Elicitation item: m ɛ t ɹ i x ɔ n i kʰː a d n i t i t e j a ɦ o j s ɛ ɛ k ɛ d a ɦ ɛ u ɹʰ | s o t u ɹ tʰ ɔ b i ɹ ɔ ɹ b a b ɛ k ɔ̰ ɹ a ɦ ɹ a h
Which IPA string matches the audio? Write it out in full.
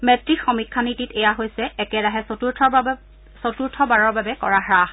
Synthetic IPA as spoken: m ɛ t ɹ i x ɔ m i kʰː a n i t i t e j a ɦ o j s ɛ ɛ k ɛ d a ɦ ɛ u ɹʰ | s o t u ɹ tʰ ɔ b a ɹ ɔ ɹ b a b ɛ k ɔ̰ ɹ a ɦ ɹ a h